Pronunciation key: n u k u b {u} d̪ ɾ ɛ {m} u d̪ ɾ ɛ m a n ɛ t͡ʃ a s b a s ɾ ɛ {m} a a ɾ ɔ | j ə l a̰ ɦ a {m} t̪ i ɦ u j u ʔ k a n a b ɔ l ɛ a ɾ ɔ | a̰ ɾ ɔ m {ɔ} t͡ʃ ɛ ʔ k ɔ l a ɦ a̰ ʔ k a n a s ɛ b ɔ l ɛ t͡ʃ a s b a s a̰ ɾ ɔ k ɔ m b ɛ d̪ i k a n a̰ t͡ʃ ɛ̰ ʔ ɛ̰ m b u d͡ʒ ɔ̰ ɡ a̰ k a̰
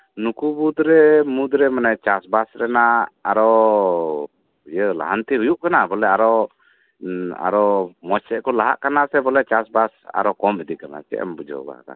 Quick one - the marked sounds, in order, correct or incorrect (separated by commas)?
correct, correct, incorrect, incorrect, correct